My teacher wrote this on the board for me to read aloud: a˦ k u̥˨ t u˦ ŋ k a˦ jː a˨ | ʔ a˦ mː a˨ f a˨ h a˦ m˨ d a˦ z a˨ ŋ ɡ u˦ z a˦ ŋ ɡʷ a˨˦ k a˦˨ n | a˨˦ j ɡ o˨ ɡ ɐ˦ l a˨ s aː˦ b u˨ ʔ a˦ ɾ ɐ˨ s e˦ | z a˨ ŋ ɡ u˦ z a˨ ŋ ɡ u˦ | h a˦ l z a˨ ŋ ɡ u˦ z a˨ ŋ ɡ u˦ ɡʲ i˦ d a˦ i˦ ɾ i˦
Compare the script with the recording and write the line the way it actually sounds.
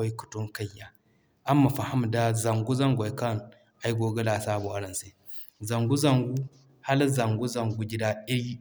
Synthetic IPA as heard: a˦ k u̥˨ t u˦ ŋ k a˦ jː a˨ | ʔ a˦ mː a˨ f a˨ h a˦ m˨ d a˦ z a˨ ŋ ɡ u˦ z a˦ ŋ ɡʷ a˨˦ k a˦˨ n | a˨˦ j ɡ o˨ ɡ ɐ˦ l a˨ s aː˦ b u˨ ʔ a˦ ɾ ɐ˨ s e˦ | z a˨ ŋ ɡ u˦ z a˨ ŋ ɡ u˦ | h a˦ l z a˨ ŋ ɡ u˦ z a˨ ŋ ɡ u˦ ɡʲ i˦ d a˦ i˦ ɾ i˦

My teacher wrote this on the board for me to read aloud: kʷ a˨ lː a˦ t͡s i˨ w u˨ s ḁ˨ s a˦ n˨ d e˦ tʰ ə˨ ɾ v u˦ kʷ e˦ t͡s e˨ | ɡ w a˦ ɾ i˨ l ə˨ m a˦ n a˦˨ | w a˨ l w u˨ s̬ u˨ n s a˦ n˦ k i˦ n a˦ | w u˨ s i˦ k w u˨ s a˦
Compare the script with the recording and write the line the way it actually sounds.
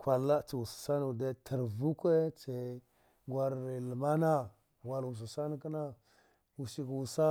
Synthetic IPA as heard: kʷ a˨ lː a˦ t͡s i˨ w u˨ s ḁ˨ s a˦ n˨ d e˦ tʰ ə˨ ɾ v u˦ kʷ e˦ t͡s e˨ | ɡ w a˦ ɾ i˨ l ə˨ m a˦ n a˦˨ | w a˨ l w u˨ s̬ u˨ s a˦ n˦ k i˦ n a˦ | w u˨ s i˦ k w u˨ s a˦

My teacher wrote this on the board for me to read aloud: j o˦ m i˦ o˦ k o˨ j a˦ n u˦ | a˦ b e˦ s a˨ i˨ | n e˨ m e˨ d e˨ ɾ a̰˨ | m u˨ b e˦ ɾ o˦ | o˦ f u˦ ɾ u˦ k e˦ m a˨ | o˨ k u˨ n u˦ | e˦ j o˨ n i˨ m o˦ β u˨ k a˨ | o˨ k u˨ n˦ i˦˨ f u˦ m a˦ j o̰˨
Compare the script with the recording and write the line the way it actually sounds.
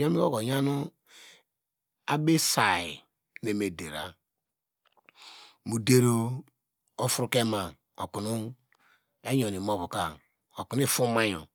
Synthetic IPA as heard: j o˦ m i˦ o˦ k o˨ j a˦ n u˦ | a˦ b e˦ s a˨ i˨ | n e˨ m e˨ d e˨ ɾ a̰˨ | m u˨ d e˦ ɾ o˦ | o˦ f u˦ ɾ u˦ k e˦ m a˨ | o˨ k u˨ n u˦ | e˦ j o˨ n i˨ m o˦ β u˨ k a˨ | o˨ k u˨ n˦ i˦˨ f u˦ m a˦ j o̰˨

